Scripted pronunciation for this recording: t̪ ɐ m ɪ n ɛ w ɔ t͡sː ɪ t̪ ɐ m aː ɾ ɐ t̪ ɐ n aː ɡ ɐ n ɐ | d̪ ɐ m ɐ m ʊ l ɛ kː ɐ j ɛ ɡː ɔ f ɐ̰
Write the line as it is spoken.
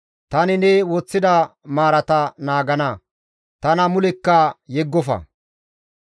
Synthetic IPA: t̪ ɐ n ɪ n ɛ w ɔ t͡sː ɪ d̪ ɐ m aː ɾ ɐ t̪ ɐ n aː ɡ ɐ n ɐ | t̪ ɐ n ɐ m ʊ l ɛ kː ɐ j ɛ ɡː ɔ f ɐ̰